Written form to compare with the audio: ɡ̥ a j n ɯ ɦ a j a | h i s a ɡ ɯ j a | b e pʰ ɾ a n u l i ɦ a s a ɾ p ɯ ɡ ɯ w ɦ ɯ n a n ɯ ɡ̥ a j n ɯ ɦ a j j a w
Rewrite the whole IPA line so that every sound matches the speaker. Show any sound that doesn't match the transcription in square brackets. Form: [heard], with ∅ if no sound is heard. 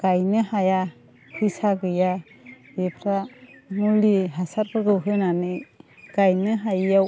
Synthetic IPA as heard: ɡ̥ a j n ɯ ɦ a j a | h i s a ɡ ɯ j a | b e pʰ ɾ a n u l i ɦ a s a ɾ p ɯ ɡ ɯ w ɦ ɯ n a n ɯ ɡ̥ a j n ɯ ɦ a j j a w